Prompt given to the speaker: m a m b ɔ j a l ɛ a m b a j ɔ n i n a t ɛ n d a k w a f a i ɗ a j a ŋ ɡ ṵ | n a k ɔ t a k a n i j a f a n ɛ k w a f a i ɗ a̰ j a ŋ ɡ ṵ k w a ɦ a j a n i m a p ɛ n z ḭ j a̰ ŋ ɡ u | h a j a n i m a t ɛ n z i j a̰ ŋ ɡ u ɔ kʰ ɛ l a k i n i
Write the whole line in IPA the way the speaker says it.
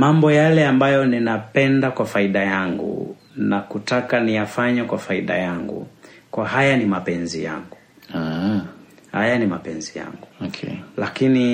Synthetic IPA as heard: m a m b ɔ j a l ɛ a m b a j ɔ n i n a p ɛ n d a k w a f a i ɗ a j a ŋ ɡ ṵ | n a k u t a k a n i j a f a ɲ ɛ k w a f a i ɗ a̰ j a ŋ ɡ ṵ k w a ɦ a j a n i m a p ɛ n z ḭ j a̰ ŋ ɡ u | h a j a n i m a p ɛ n z i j a̰ ŋ ɡ u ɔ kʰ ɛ l a k i n i